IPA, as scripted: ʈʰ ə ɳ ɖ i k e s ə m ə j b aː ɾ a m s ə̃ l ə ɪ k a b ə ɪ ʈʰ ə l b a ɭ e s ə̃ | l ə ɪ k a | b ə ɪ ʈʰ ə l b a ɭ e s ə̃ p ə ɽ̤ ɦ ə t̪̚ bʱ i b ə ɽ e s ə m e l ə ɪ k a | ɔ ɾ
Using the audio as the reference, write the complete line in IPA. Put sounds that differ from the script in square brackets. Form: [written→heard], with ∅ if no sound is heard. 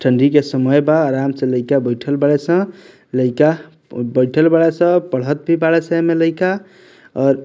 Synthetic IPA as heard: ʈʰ ə ɳ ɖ i k e s ə m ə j b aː ɾ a m s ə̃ l ə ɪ k a b ə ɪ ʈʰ ə l b a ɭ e s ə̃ | l ə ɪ k a | b ə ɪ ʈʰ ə l b a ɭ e s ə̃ p ə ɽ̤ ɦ ə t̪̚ bʱ i b [ə→a] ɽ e s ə m e l ə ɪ k a | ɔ ɾ